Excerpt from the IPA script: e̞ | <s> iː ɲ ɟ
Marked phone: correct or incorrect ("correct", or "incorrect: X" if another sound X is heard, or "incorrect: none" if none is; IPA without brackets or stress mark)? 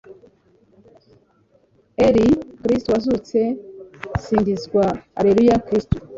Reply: correct